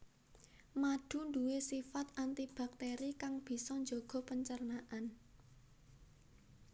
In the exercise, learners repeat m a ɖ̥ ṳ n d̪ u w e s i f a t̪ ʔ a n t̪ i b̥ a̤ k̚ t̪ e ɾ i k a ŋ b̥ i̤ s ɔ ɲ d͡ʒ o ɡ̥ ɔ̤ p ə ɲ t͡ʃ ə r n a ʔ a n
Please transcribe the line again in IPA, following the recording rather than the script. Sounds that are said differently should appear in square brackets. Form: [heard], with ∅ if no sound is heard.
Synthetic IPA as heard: m a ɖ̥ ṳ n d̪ u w e s i f a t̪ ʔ a n t̪ i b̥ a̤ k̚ t̪ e ɾ i k a ŋ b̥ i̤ s ɔ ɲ d͡ʒ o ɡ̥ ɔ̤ p ə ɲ t͡ʃ ə r n a ʔ a n